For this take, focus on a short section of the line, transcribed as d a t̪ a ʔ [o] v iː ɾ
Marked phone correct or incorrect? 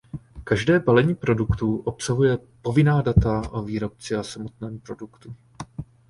correct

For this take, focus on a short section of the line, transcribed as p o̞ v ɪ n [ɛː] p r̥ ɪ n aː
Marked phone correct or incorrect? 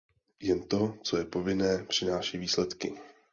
correct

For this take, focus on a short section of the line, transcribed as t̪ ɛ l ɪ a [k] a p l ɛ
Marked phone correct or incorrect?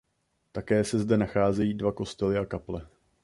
correct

